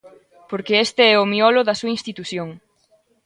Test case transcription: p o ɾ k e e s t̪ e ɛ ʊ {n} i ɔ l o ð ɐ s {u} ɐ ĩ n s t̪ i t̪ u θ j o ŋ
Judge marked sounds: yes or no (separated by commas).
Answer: no, yes